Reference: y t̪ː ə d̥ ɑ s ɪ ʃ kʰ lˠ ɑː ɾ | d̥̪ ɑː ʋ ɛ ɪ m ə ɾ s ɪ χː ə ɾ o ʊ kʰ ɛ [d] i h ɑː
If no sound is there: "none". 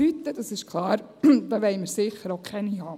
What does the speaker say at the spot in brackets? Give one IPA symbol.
n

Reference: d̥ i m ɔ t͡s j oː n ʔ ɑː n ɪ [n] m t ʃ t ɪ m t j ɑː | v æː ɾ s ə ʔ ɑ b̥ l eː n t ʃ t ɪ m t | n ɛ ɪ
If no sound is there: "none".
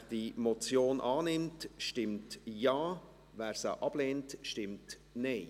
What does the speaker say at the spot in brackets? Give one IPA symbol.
none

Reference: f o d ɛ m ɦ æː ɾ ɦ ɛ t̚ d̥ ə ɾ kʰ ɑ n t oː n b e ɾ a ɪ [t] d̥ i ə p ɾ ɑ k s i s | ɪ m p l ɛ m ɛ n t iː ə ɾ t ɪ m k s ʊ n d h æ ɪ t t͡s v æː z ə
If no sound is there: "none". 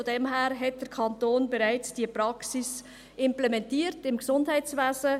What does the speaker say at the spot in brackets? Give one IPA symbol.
t͡s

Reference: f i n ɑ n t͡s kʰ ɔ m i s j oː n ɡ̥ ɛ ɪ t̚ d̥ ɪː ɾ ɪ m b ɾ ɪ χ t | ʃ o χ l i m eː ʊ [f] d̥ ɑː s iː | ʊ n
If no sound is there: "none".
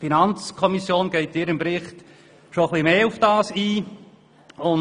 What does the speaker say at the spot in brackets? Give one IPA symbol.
f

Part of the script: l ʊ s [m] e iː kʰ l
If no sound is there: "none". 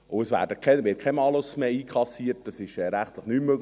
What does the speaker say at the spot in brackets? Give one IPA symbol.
m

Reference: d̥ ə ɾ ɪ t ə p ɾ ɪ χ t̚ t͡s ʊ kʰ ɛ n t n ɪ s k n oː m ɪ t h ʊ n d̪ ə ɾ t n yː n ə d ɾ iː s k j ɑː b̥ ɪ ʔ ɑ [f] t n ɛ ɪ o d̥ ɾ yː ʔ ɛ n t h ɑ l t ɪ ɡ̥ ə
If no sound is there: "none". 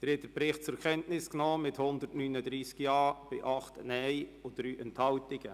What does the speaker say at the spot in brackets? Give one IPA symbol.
χ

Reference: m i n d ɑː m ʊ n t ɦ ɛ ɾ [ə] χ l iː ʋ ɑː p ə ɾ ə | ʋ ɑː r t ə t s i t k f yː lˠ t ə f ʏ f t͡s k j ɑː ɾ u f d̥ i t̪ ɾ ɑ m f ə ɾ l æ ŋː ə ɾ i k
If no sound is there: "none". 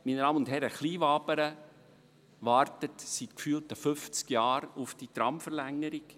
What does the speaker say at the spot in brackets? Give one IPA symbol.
ə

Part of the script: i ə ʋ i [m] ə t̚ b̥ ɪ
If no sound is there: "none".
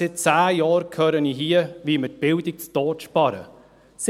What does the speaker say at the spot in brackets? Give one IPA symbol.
m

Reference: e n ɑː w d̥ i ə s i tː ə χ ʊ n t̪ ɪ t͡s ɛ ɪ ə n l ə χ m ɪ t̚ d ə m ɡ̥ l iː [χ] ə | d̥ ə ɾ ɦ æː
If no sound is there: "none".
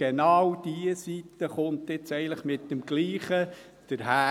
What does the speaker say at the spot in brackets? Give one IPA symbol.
χ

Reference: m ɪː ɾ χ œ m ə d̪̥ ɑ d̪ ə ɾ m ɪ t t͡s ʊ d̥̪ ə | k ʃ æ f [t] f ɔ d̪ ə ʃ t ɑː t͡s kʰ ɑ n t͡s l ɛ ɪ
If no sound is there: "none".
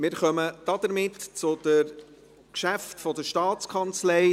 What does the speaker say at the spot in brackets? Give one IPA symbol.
t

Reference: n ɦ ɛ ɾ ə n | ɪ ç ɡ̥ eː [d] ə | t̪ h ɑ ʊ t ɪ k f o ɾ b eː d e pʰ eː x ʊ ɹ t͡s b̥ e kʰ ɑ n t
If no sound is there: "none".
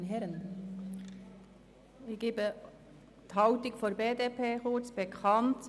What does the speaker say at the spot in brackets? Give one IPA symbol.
b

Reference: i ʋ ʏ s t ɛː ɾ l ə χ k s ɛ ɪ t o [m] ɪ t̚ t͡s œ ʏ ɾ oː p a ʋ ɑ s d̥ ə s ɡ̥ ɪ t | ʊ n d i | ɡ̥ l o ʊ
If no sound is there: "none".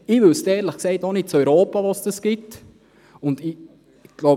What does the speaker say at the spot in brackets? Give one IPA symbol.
n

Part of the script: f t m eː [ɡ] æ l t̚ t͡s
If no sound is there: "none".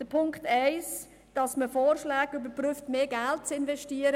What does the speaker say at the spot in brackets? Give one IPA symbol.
ɡ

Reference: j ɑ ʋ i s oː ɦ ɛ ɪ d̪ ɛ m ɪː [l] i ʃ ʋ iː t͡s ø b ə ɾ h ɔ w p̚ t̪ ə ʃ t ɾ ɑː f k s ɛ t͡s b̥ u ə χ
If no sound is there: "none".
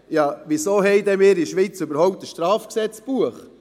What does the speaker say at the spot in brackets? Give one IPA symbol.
ɾ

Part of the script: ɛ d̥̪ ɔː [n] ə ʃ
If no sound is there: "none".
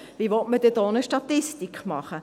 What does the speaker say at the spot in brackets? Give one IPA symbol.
n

